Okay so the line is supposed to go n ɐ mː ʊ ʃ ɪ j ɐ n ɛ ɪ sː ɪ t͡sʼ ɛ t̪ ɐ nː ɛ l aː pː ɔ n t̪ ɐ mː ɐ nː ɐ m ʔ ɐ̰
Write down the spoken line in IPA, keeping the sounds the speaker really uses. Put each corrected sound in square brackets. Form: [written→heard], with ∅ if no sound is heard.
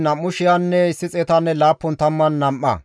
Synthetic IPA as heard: n ɐ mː ʊ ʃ ɪ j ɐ [n→nː] ɛ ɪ sː ɪ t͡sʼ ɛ t̪ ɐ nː ɛ l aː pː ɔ n t̪ ɐ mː ɐ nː ɐ m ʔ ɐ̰